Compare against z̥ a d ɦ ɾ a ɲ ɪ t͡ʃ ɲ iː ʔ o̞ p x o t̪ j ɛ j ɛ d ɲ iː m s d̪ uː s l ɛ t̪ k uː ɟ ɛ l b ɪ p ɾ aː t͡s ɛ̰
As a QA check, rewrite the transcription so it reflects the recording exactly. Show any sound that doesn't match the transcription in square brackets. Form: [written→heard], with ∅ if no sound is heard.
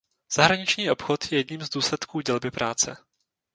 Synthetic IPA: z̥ a [d→∅] ɦ ɾ a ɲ ɪ t͡ʃ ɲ iː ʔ o̞ p x o t̪ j ɛ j ɛ d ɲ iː m [s→z] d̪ uː s l ɛ t̪ k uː ɟ ɛ l b ɪ p ɾ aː t͡s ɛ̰